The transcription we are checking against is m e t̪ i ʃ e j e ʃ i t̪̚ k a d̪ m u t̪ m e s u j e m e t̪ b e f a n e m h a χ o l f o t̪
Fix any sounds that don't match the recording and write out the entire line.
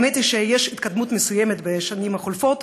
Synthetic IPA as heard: m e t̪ i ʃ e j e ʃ i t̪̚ k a d̪ m u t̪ m e s u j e m e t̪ b e ʃ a n i m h a χ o l f o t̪